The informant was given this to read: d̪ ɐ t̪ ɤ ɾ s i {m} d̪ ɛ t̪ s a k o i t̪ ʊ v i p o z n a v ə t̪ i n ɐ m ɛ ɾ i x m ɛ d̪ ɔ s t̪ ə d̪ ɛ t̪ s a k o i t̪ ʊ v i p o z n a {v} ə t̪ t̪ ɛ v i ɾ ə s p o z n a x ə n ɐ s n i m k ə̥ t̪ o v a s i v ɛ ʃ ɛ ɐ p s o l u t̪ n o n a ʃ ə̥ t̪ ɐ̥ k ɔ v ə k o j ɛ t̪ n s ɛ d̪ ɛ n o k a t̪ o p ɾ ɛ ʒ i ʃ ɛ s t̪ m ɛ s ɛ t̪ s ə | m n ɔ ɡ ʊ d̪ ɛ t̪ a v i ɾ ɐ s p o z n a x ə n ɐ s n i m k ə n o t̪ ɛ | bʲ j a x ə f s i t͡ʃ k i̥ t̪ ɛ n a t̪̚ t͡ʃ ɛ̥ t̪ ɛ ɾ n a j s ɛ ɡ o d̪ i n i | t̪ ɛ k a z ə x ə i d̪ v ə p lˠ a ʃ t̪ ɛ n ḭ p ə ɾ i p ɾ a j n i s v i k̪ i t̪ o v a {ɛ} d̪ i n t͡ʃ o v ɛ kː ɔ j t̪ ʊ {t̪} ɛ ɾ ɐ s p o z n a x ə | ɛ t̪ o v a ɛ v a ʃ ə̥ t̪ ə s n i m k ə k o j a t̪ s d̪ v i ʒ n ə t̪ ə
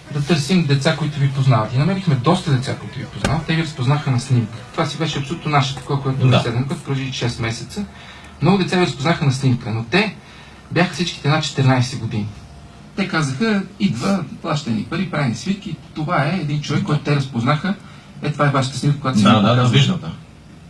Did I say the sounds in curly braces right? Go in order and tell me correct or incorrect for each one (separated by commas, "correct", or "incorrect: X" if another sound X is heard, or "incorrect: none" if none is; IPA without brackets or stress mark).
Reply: correct, correct, incorrect: ɛː, correct